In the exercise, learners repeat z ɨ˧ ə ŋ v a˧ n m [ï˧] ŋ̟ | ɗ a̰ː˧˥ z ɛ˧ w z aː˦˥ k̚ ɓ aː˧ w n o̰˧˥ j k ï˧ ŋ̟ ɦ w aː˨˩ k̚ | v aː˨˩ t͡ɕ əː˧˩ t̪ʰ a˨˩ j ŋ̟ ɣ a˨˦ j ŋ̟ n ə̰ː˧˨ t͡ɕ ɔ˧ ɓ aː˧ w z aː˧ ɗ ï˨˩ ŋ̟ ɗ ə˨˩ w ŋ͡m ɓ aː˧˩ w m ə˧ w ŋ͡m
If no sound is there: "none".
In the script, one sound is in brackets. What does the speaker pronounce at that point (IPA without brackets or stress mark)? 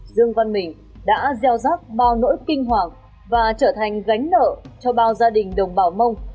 ï˨˩